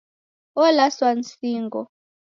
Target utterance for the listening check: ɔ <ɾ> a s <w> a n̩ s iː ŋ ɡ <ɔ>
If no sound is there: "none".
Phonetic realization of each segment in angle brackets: l, w, ɔ

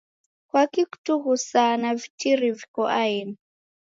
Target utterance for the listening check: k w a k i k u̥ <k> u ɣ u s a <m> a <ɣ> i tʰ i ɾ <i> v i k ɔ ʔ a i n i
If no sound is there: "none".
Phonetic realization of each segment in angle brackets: t, n, v, i

